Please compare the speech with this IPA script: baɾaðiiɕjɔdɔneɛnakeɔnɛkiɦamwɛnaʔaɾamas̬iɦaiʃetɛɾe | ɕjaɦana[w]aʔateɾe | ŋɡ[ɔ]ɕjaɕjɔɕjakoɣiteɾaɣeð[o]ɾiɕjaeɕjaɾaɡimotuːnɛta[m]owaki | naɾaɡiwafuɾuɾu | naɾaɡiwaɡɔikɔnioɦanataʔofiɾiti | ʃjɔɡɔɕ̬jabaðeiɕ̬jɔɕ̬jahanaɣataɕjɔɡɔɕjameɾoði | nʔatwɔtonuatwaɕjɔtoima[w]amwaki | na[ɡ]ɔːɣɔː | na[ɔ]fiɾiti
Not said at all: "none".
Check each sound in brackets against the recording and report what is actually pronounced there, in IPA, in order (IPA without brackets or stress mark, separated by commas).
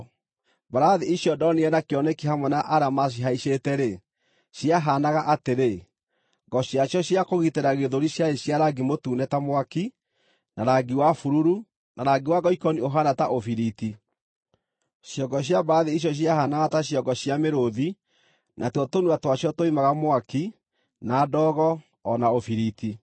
ɣ, ɔ, o, m, ɣ, d, o